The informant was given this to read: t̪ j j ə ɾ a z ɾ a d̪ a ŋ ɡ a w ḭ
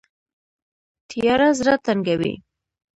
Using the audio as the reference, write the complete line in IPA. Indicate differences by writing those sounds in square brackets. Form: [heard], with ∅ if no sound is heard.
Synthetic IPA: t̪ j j [ɑ] ɾ a z ɾ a [t̪] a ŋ ɡ a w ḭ